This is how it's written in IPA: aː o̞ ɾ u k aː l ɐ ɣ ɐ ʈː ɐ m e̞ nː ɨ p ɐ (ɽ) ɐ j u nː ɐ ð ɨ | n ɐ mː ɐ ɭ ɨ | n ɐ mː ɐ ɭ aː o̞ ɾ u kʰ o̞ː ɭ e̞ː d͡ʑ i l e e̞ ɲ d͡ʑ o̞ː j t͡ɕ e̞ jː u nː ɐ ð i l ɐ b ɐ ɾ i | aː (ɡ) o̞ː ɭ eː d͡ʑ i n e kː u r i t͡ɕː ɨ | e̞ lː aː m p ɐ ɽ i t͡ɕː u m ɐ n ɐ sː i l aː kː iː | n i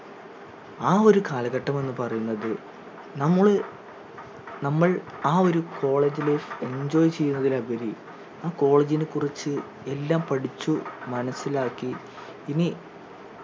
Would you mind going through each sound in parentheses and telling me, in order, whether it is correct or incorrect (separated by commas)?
incorrect, incorrect